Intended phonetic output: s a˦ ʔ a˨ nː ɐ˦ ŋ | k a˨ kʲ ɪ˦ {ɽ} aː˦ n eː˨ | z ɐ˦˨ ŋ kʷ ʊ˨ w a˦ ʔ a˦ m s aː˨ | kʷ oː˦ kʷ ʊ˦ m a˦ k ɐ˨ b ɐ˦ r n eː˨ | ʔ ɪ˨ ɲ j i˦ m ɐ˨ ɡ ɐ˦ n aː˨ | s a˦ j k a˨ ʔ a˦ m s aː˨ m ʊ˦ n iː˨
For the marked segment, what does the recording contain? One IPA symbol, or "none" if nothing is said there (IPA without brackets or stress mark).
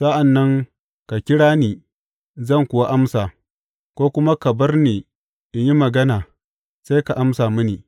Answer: ɽ